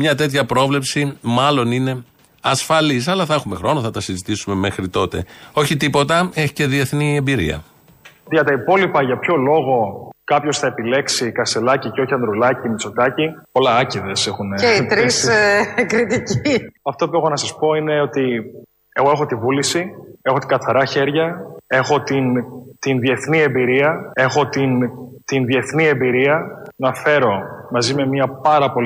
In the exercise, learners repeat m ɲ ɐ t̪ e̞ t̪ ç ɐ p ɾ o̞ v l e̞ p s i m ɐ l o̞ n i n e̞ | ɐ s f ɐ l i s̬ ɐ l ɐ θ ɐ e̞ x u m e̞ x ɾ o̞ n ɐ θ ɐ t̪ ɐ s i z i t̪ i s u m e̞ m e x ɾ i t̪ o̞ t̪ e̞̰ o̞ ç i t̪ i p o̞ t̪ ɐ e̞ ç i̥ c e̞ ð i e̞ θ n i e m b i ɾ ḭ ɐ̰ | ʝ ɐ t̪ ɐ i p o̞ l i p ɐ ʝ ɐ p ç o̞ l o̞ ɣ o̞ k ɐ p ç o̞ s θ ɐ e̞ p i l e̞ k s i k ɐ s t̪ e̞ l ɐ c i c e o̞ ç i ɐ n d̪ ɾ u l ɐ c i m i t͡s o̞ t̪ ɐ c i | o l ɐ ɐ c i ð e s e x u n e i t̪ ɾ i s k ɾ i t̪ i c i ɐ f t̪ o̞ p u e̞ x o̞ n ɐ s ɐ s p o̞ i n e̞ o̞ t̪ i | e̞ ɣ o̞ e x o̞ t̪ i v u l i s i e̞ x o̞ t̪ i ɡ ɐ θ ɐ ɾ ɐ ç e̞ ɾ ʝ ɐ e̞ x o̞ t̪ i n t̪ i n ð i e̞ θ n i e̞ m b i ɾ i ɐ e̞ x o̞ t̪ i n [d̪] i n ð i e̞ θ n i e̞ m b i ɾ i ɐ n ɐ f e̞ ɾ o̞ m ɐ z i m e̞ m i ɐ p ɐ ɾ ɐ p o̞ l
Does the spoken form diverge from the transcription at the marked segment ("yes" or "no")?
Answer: yes